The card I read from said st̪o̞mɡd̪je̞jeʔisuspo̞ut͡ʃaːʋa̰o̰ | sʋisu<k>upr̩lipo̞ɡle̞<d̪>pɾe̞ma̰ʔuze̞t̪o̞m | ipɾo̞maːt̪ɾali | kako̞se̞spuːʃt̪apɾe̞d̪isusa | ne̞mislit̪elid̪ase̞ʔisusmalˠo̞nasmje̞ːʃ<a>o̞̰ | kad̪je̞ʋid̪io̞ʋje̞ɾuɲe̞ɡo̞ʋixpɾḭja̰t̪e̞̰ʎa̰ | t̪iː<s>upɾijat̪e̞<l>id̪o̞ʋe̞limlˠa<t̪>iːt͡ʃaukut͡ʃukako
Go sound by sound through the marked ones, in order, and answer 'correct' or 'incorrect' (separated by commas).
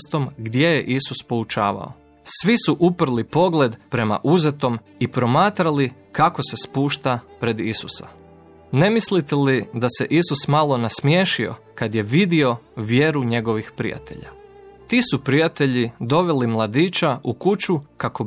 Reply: incorrect, correct, incorrect, correct, incorrect, incorrect